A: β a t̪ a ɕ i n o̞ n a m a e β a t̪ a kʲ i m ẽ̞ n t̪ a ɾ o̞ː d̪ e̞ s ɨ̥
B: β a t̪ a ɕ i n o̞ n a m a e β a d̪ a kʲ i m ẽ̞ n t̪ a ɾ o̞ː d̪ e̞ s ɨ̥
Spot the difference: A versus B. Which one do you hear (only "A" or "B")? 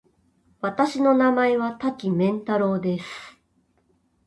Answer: A